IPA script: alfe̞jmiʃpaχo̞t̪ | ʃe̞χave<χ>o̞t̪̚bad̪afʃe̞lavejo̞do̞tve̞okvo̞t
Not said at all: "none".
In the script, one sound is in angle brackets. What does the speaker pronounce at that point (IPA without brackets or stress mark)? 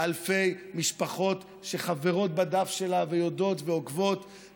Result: ʁ